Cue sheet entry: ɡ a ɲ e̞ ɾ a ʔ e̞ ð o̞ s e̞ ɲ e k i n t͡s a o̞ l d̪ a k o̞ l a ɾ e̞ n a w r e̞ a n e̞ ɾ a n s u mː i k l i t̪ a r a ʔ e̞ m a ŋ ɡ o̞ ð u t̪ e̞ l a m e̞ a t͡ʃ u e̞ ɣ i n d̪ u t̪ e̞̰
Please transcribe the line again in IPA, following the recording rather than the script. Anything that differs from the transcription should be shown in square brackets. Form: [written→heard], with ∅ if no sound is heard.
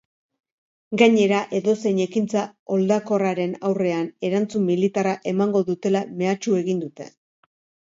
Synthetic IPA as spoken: ɡ a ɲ e̞ ɾ a ʔ e̞ ð o̞ s e̞ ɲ e k i n t͡s a o̞ l d̪ a k o̞ [l→r] a ɾ e̞ n a w r e̞ a n e̞ ɾ a n [s→t͡s] u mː i [k→∅] l i t̪ a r a ʔ e̞ m a ŋ ɡ o̞ ð u t̪ e̞ l a m e̞ a t͡ʃ u e̞ ɣ i n d̪ u t̪ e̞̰